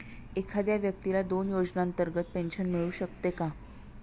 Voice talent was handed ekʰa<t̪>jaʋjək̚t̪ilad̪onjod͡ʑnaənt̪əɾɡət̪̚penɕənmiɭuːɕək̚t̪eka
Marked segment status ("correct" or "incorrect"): incorrect